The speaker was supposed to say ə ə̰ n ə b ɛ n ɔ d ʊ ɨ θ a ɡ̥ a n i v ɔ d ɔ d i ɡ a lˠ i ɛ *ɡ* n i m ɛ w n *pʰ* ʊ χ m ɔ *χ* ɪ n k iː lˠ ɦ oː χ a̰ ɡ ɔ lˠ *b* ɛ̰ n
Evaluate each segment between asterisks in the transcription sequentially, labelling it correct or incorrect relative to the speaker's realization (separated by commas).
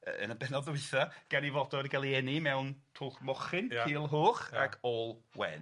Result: incorrect, incorrect, correct, incorrect